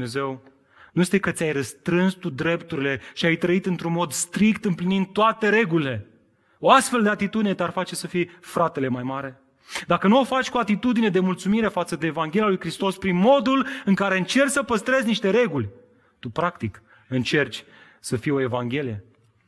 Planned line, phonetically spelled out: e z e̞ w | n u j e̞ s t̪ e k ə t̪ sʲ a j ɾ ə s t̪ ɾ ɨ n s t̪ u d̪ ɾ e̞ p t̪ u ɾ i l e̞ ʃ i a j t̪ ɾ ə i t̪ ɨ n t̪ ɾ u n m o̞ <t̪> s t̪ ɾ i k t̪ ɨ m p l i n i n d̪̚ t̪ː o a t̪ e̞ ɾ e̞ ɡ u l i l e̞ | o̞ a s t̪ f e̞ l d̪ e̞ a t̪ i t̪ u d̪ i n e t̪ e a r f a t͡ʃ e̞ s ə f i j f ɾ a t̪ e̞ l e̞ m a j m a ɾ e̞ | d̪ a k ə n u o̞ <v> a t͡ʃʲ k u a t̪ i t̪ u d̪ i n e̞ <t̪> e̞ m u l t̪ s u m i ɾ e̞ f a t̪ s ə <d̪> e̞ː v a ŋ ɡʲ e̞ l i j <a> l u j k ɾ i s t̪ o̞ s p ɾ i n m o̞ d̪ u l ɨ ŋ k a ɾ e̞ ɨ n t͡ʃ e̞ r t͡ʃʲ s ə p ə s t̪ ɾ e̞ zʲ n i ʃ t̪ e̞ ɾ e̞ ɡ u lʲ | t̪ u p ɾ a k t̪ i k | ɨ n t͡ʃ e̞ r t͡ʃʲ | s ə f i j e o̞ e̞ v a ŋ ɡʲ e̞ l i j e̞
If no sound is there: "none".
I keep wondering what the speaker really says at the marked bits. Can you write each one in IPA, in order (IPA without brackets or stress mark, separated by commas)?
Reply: d̪, f, d̪, d̪, a